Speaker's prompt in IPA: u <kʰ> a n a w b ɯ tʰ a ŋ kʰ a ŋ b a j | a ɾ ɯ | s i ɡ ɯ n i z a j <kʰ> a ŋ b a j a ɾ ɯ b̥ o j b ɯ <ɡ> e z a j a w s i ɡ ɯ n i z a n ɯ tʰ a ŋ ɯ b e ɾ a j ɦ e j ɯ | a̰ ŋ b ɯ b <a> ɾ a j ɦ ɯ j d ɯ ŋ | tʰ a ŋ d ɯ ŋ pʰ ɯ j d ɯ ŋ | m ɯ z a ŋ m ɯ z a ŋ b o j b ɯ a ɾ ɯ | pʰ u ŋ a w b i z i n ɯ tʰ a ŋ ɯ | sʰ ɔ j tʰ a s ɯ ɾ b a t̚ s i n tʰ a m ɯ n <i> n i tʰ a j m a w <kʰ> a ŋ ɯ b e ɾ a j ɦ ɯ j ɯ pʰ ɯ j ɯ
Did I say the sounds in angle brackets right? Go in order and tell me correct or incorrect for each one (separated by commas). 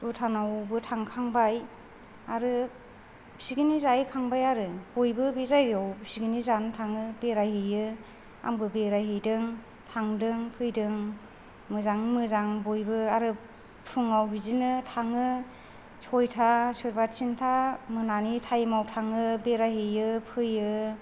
incorrect, correct, incorrect, incorrect, incorrect, incorrect